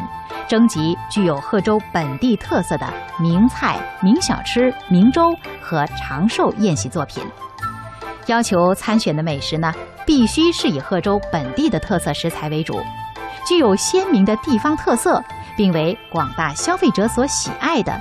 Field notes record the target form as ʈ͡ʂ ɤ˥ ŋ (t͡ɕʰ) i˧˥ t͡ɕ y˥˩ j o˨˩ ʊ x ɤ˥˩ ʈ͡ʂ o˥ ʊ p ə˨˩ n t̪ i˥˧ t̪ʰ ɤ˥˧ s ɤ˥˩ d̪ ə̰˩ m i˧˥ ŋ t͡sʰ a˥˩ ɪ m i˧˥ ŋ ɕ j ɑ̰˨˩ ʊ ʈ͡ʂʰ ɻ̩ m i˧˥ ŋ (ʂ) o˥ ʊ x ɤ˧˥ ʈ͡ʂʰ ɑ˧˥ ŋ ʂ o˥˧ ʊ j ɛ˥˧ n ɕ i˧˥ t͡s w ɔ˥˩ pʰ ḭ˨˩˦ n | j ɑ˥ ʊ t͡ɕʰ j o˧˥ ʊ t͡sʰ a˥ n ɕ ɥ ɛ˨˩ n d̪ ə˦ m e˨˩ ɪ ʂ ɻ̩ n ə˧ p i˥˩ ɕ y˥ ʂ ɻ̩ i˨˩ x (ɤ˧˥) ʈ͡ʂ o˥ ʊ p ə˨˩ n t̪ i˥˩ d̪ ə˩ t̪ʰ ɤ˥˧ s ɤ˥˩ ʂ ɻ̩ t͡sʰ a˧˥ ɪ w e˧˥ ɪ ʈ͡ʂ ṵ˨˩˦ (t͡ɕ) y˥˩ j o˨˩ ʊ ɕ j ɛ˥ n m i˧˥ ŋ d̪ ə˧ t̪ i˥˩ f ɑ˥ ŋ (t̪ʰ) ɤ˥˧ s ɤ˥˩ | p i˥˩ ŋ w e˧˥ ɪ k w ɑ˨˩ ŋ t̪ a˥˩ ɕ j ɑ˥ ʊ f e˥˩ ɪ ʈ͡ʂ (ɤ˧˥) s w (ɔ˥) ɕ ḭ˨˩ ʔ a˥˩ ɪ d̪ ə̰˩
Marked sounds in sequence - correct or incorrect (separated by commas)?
incorrect, incorrect, incorrect, correct, correct, correct, incorrect